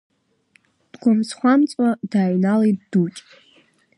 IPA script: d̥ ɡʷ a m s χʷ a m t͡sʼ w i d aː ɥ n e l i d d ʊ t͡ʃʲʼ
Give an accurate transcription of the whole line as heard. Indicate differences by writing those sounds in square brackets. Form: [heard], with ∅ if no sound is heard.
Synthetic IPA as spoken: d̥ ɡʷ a m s χʷ a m t͡sʼ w [a] d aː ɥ n [a] l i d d [u] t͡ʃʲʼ